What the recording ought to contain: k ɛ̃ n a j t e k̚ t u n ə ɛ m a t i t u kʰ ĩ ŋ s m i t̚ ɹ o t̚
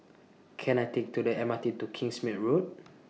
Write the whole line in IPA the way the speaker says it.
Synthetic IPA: kʰ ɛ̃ n a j t e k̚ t u d ə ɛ m a t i t u kʰ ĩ ŋ s m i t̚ ɹ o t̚